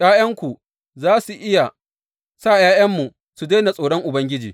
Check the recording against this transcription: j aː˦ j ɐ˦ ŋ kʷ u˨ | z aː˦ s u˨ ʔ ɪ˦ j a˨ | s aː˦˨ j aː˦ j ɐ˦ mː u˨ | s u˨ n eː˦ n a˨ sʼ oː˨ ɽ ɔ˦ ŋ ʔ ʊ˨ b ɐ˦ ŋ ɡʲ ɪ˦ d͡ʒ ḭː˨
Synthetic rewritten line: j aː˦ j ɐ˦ ŋ kʷ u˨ | z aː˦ s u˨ ʔ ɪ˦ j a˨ | s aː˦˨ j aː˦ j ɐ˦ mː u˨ | s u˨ d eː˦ n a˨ sʼ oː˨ ɽ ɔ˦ ŋ ʔ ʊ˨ b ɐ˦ ŋ ɡʲ ɪ˦ d͡ʒ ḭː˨